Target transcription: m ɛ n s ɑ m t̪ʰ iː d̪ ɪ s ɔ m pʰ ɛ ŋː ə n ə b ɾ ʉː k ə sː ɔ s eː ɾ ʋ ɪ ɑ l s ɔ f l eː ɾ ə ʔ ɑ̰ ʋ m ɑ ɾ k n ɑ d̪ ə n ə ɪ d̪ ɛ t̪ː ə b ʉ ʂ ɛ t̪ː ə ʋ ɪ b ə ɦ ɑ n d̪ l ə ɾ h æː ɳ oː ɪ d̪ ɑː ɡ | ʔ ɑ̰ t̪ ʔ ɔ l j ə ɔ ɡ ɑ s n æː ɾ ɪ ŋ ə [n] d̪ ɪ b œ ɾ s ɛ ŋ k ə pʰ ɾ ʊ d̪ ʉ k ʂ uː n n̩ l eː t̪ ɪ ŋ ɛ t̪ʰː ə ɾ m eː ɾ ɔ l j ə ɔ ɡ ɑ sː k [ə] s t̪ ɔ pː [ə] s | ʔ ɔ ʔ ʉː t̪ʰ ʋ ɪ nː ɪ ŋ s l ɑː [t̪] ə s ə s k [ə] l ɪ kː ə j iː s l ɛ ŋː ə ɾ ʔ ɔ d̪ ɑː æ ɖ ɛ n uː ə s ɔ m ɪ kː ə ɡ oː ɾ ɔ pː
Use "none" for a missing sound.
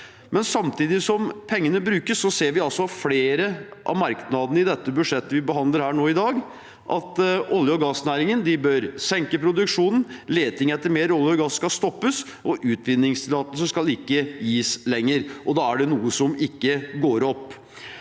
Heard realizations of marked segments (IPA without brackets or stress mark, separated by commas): n, ɑ, ə, t̪, ɑ